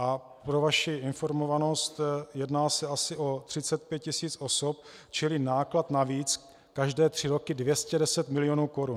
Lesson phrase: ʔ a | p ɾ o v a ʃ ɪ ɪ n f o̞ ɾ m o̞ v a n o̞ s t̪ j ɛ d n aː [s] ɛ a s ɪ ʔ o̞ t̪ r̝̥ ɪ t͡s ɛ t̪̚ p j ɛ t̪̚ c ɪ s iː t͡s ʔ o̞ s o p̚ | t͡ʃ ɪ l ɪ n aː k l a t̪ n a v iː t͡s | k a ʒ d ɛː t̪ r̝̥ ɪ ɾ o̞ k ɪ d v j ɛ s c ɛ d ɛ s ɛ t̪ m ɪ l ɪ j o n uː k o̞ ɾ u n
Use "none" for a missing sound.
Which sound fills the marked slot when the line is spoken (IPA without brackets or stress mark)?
s